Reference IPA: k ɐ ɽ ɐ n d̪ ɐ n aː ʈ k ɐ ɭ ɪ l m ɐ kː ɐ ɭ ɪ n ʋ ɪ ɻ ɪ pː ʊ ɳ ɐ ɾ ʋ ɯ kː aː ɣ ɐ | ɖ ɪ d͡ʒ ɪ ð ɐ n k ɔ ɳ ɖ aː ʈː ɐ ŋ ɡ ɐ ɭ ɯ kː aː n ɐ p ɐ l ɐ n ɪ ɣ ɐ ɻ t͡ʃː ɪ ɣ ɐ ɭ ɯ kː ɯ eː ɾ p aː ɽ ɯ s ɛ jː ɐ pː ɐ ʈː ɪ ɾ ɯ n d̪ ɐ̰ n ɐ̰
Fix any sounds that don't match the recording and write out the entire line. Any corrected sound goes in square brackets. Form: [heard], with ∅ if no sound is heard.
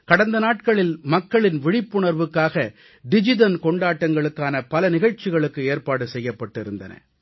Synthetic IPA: k ɐ ɽ ɐ n d̪ ɐ n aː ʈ k ɐ ɭ ɪ l m ɐ kː ɐ ɭ ɪ n ʋ ɪ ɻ ɪ pː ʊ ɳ ɐ ɾ ʋ ɯ kː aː ɣ ɐ | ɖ ɪ d͡ʒ ɪ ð ɐ n k ɔ ɳ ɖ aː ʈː ɐ ŋ ɡ ɐ ɭ ɯ kː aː n ɐ p ɐ l ɐ n ɪ ɣ ɐ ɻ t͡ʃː ɪ ɣ ɐ ɭ ɯ kː ɯ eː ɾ p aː ɽ ɯ s ɛ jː ɐ pː ɐ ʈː ɪ ɾ ɯ n d̪ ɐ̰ n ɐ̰